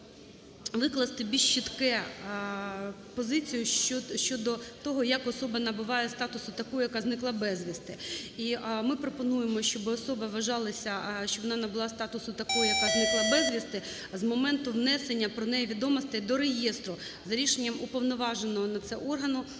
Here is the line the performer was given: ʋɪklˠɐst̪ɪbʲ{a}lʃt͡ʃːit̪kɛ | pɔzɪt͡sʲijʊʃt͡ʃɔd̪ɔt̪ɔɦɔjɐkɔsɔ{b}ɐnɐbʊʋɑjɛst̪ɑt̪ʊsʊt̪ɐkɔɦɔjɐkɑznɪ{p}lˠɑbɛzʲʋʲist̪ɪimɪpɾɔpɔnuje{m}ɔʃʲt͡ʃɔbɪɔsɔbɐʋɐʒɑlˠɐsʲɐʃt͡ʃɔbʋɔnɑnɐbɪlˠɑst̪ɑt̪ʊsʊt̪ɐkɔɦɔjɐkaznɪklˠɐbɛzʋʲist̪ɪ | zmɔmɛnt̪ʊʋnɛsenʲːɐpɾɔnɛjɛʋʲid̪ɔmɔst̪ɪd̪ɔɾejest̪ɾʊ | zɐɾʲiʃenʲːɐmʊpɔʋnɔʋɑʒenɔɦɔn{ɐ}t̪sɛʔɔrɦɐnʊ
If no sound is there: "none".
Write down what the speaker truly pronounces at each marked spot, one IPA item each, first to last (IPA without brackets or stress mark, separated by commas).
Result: i, b, k, m, ɐ